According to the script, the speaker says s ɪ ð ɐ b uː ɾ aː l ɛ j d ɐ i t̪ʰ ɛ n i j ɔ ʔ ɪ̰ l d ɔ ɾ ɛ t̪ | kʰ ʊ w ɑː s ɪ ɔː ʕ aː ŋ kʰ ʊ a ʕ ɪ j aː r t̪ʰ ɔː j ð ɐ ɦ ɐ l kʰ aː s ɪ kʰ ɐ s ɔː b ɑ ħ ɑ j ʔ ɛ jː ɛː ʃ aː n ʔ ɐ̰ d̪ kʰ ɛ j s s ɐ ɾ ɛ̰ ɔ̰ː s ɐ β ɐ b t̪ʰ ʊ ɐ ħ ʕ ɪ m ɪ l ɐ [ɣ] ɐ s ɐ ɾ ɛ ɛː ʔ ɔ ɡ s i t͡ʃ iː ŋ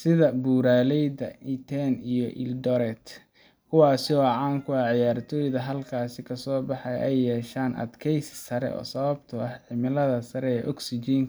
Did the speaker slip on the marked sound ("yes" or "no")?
yes